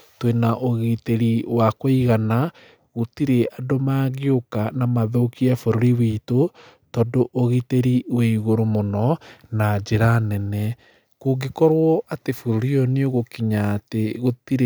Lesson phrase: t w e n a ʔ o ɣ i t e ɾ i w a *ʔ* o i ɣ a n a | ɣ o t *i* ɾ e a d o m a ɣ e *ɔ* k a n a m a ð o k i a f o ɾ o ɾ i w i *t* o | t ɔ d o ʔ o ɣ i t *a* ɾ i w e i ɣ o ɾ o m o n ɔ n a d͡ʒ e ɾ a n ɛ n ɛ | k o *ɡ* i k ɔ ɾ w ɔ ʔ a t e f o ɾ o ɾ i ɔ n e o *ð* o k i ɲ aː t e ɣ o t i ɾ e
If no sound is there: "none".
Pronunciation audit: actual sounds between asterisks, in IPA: k, i, o, t, e, ɡ, ɣ

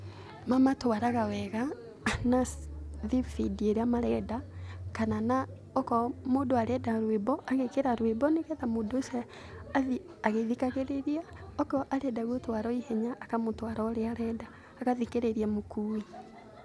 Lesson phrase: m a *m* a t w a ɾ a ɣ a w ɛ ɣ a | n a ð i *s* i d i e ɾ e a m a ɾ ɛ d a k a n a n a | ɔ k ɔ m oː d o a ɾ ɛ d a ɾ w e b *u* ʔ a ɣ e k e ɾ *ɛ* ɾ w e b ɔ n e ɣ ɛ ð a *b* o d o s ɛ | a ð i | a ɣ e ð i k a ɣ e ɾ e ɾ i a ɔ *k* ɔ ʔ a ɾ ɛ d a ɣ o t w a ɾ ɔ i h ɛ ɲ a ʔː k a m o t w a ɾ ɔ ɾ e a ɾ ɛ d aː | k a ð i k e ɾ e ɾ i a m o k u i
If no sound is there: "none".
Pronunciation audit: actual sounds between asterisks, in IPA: m, f, ɔ, a, m, k

